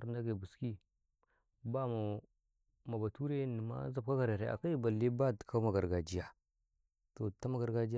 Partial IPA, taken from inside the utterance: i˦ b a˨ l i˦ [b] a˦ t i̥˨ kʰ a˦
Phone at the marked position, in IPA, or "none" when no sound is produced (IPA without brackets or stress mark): b